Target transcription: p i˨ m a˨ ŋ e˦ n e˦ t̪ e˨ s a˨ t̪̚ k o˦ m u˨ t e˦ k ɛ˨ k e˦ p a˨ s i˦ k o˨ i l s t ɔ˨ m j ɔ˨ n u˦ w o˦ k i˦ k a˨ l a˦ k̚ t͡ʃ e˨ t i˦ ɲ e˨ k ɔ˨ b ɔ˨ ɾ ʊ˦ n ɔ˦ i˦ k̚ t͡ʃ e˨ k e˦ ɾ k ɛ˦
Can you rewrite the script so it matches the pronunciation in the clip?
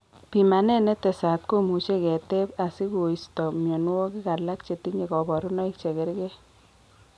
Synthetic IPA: p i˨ m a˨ n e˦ n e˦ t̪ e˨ s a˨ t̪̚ k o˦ m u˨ t͡ʃ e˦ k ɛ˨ t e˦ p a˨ s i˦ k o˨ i s t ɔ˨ m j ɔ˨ n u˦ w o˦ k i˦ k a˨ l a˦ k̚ t͡ʃ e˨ t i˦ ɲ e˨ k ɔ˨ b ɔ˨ ɾ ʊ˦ n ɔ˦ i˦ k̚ t͡ʃ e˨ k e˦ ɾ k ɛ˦